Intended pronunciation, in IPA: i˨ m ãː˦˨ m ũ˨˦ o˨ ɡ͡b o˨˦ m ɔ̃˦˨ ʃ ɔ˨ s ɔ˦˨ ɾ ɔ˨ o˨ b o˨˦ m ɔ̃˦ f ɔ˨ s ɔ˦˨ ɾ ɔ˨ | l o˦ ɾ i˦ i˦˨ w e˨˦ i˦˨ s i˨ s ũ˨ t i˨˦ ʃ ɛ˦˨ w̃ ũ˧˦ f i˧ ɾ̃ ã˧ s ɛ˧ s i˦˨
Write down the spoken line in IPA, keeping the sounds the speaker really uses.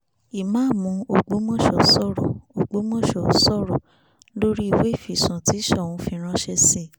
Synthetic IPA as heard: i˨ m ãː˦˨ m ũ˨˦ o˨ ɡ͡b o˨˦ m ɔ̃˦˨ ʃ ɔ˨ s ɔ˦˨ ɾ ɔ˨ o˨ ɡ͡b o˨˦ m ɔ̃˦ ʃ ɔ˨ s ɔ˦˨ ɾ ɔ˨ | l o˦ ɾ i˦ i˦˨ w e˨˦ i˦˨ f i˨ s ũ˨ t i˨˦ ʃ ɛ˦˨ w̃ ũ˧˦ f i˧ ɾ̃ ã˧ ʃ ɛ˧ s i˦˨